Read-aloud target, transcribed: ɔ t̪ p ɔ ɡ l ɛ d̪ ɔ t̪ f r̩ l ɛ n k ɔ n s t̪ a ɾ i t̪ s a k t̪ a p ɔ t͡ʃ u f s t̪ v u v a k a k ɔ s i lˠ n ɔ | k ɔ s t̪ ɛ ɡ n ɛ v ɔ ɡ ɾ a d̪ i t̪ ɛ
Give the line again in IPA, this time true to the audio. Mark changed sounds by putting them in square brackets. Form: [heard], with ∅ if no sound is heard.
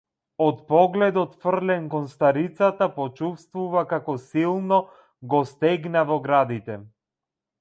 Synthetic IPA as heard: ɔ t̪ p ɔ ɡ l ɛ d̪ ɔ t̪ f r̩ l ɛ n k ɔ n s t̪ a ɾ i t̪ s a [∅] t̪ a p ɔ t͡ʃ u f s t̪ v u v a k a k ɔ s i lˠ n ɔ | [ɡ] ɔ s t̪ ɛ ɡ n [a] v ɔ ɡ ɾ a d̪ i t̪ ɛ

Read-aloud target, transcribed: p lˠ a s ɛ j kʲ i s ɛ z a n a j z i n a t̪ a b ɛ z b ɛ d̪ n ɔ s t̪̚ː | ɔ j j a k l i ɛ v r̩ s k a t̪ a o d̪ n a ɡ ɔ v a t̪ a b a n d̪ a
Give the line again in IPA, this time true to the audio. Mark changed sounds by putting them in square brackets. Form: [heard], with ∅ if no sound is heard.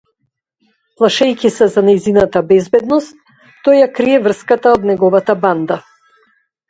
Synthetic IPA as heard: p lˠ a [ʃ] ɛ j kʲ i s ɛ z a n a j z i n a t̪ a b ɛ z b ɛ d̪ n ɔ s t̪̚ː | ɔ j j a k [ɾ] i ɛ v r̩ s k a t̪ a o d̪ n [ɛ] ɡ ɔ v a t̪ a b a n d̪ a

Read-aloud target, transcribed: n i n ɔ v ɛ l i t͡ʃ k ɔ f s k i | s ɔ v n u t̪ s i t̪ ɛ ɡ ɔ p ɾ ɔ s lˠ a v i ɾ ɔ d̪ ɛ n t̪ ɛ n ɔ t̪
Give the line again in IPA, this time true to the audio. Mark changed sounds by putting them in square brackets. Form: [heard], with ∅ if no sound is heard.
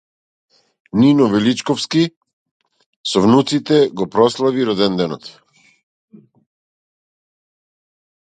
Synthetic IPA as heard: n i n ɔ v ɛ l i t͡ʃ k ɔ f s k i | s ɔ v n u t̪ s i t̪ ɛ ɡ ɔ p ɾ ɔ s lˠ a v i ɾ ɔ d̪ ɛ n [d̪] ɛ n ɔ t̪

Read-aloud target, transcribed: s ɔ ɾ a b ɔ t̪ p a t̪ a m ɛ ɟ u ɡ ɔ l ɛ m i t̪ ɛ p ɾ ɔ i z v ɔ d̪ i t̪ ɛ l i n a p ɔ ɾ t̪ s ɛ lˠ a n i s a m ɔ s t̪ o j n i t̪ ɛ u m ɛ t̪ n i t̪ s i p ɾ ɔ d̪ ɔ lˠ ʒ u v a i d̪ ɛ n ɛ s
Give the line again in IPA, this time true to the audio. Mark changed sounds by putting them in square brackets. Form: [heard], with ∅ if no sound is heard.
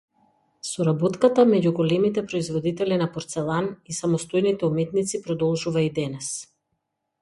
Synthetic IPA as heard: s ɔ ɾ a b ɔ t̪ [k] a t̪ a m ɛ ɟ u ɡ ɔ l ɛ m i t̪ ɛ p ɾ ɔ i z v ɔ d̪ i t̪ ɛ l i n a p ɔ ɾ t̪ s ɛ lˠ a n i s a m ɔ s t̪ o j n i t̪ ɛ u m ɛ t̪ n i t̪ s i p ɾ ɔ d̪ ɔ lˠ ʒ u v a i d̪ ɛ n ɛ s

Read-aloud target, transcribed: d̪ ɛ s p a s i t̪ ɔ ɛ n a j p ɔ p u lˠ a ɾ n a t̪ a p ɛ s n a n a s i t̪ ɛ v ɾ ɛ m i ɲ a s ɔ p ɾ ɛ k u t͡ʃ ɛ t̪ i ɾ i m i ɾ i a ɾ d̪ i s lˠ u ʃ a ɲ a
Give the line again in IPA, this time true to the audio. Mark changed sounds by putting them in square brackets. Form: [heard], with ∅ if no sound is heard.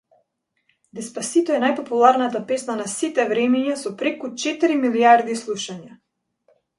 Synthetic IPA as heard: d̪ ɛ s p a s i t̪ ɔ ɛ n a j p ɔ p u lˠ a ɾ n a t̪ a p ɛ s n a n a s i t̪ ɛ v ɾ ɛ m i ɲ a s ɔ p ɾ ɛ k u t͡ʃ ɛ t̪ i ɾ i m i [l] i a ɾ d̪ i s lˠ u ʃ a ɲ a

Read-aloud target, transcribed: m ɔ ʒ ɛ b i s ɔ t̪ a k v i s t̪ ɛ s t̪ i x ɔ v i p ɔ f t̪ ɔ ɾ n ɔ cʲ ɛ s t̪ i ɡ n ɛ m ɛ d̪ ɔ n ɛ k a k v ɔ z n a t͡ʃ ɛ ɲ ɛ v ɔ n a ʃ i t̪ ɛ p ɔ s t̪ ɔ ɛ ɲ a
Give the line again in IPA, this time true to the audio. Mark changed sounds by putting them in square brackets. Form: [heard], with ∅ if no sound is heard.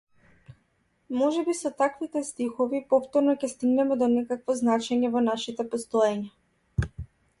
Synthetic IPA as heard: m ɔ ʒ ɛ b i s ɔ t̪ a k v i [∅] t̪ ɛ s t̪ i x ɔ v i p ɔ f t̪ ɔ ɾ n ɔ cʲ ɛ s t̪ i ɡ n ɛ m ɛ d̪ ɔ n ɛ k a k v ɔ z n a t͡ʃ ɛ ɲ ɛ v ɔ n a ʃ i t̪ ɛ p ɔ s t̪ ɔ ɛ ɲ a

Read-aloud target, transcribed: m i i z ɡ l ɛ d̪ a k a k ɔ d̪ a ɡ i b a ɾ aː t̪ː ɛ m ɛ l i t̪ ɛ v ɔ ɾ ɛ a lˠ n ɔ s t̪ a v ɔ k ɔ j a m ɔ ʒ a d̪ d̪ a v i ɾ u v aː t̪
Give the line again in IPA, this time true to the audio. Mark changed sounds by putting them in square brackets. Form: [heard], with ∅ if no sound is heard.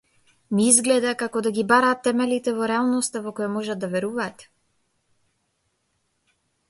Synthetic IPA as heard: m i i z ɡ l ɛ d̪ a k a k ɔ d̪ a ɡ i b a ɾ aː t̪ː ɛ m ɛ l i t̪ ɛ v ɔ ɾ ɛ a lˠ n ɔ s t̪ a v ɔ k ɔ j a m ɔ ʒ a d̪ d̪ a v [ɛ] ɾ u v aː t̪

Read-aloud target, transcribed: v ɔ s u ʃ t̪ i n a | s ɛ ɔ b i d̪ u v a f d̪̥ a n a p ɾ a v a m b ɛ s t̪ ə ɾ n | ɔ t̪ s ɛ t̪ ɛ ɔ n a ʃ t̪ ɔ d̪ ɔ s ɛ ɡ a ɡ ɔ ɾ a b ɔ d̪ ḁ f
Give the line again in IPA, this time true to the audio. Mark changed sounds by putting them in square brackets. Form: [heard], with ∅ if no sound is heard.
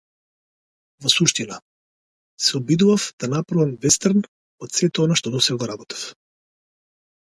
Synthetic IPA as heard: v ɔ s u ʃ t̪ i n a | s ɛ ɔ b i d̪ u v a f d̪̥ a n a p ɾ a v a m [v] ɛ s t̪ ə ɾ n | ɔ t̪ s ɛ t̪ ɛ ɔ n a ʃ t̪ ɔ d̪ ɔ s ɛ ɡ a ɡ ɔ ɾ a b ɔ [t̪] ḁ f

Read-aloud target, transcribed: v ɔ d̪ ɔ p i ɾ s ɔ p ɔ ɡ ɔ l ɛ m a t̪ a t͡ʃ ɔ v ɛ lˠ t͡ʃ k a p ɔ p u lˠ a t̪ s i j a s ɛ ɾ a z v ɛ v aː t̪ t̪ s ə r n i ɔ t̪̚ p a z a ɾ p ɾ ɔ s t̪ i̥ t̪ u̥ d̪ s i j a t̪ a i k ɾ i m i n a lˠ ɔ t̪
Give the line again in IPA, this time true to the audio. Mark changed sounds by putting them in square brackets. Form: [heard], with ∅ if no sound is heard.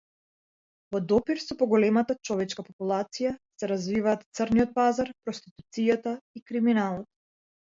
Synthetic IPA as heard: v ɔ d̪ ɔ p i ɾ s ɔ p ɔ ɡ ɔ l ɛ m a t̪ a t͡ʃ ɔ v ɛ [∅] t͡ʃ k a p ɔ p u lˠ a t̪ s i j a s ɛ ɾ a z v [i] v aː t̪ t̪ s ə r n i ɔ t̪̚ p a z a ɾ p ɾ ɔ s t̪ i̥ t̪ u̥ [t̪] s i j a t̪ a i k ɾ i m i n a lˠ ɔ t̪

